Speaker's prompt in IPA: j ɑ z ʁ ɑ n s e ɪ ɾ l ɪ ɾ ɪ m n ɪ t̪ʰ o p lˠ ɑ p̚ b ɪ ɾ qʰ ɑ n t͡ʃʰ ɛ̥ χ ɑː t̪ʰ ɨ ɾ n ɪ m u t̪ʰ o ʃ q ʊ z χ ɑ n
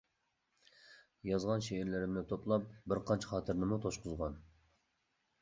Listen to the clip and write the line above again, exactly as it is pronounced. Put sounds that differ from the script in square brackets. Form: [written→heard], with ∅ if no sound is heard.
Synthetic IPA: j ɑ z ʁ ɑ n [s→ʃ] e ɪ ɾ l ɪ ɾ ɪ m n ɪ t̪ʰ o p lˠ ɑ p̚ b ɪ ɾ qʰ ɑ n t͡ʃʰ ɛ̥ χ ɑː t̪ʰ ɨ ɾ n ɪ m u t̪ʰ o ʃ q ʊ z [χ→ʁ] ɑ n